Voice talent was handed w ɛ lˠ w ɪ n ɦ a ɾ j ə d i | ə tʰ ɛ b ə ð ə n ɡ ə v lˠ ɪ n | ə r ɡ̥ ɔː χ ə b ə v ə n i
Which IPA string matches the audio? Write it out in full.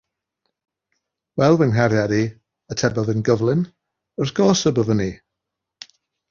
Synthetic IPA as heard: w ɛ lˠ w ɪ n ɦ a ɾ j a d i | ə tʰ ɛ b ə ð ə n ɡ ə v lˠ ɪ n | ə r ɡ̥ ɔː s ə b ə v ə n i